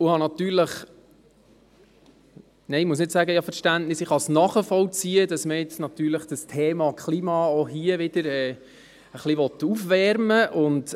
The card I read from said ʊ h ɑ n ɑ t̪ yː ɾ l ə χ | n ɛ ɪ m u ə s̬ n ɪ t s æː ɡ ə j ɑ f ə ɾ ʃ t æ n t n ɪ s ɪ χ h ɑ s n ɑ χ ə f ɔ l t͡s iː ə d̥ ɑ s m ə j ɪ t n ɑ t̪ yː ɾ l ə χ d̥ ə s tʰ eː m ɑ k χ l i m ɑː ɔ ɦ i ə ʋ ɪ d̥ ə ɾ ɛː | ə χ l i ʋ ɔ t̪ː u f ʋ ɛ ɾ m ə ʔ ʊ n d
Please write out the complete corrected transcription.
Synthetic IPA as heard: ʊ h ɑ n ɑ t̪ yː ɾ l ə χ | n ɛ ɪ m u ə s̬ n ɪ t s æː ɡ ə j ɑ f ə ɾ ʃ t æ n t n ɪ s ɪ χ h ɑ s n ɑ χ ə f ɔ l t͡s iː ə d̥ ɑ s m ə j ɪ t͡s n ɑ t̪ yː ɾ l ə χ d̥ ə s tʰ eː m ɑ k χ l i m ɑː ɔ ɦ i ə ʋ ɪ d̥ ə ɾ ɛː | ə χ l i ʋ ɔ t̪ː u f ʋ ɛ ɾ m ə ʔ ʊ n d